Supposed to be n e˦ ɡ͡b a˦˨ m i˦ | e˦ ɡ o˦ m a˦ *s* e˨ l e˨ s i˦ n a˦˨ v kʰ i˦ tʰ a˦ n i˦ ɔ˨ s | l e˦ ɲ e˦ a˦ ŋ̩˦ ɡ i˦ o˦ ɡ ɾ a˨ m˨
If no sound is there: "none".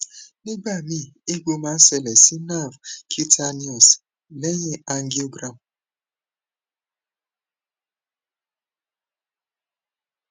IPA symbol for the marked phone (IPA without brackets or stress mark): s